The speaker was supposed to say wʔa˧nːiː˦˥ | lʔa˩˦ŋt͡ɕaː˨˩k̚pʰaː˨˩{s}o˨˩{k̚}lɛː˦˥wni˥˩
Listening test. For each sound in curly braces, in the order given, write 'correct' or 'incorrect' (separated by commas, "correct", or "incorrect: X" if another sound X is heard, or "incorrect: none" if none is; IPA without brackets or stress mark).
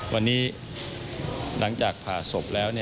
correct, incorrect: p̚